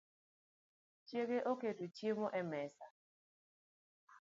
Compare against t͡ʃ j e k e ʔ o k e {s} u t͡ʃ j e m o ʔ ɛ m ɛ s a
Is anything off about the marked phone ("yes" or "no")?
yes